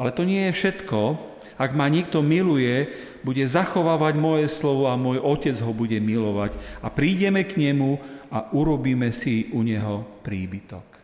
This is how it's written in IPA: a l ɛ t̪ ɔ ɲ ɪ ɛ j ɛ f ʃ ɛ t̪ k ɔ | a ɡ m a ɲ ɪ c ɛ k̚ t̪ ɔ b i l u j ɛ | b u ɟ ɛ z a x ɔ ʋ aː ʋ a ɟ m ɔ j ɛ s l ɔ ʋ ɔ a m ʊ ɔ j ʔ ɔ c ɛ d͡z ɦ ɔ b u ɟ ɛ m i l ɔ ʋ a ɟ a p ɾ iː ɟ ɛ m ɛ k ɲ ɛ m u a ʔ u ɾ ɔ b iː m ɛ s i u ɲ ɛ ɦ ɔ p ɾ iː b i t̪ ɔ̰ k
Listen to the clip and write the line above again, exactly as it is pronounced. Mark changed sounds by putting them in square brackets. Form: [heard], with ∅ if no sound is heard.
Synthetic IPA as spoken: a l ɛ t̪ ɔ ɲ ɪ ɛ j ɛ f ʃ ɛ t̪ k ɔ | a ɡ m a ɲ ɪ [∅] ɛ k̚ t̪ ɔ [m] i l u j ɛ | b u ɟ ɛ z a x ɔ ʋ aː ʋ a ɟ m ɔ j ɛ s l ɔ ʋ ɔ a m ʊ ɔ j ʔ ɔ c ɛ d͡z ɦ ɔ b u ɟ ɛ m i l ɔ ʋ a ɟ a p ɾ iː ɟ ɛ m ɛ k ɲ ɛ m u a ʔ u ɾ ɔ b iː m ɛ s i u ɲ ɛ ɦ ɔ p ɾ iː b i t̪ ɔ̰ k